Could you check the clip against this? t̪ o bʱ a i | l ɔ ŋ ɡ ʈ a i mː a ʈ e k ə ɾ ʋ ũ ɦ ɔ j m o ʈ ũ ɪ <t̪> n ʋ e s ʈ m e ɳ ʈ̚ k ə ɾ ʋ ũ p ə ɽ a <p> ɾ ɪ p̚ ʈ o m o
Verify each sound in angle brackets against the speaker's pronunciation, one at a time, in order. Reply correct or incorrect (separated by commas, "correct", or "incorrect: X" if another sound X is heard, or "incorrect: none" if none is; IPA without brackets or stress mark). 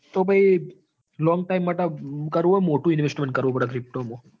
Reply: incorrect: none, incorrect: k